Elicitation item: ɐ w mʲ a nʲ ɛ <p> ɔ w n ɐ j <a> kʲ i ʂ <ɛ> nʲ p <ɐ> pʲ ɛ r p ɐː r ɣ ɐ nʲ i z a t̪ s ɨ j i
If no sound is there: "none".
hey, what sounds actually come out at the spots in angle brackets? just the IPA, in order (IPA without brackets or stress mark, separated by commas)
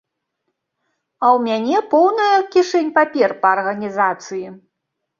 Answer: p, ɐ, ɛ, a